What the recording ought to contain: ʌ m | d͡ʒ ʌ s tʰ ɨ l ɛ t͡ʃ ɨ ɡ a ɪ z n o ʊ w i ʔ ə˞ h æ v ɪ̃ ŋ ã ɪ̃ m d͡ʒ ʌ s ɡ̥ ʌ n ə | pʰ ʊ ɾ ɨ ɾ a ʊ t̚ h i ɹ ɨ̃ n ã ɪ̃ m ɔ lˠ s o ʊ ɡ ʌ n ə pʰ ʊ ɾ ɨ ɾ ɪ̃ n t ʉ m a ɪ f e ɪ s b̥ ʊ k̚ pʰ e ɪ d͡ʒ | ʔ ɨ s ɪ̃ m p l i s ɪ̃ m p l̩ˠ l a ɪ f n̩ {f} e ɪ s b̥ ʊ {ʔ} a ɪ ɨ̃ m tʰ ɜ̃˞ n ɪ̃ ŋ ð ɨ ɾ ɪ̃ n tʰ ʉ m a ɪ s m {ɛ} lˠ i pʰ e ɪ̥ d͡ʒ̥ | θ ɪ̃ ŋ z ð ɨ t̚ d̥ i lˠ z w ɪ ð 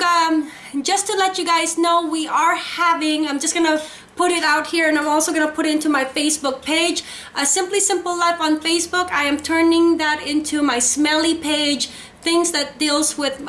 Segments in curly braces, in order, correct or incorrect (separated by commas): correct, incorrect, correct